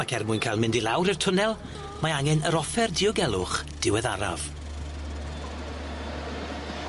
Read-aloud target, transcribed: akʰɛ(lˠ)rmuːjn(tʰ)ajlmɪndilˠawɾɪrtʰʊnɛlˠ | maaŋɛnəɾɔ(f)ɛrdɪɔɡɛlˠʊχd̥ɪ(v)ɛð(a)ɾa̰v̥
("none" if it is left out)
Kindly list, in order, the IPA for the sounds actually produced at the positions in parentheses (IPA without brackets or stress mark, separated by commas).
none, kʰ, f, w, a